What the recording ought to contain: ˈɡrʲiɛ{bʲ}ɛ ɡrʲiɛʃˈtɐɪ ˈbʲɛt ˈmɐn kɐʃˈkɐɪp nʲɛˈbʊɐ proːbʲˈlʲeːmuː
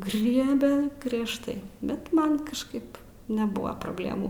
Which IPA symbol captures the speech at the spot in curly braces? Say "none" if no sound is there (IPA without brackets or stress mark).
bʲ